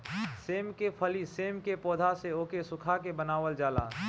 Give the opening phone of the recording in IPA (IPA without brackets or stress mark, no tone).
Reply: s